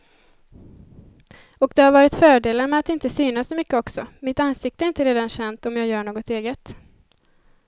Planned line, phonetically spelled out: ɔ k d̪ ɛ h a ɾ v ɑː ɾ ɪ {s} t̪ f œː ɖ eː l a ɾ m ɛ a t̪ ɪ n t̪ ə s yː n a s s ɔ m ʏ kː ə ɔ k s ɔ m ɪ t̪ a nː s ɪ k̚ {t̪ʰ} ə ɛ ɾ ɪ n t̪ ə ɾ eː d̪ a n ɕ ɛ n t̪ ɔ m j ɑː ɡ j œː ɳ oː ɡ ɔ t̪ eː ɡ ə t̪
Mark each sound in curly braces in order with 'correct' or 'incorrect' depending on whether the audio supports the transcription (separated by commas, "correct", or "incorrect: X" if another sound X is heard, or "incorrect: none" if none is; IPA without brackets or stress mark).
incorrect: none, incorrect: t̪